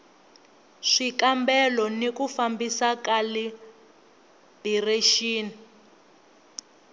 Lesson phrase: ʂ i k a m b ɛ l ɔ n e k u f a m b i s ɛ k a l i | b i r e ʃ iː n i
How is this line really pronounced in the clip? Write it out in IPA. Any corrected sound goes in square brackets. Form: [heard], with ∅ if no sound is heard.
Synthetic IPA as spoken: ʂ i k a m b ɛ l ɔ n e k u f a m b i s [a] k a l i | b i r e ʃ iː n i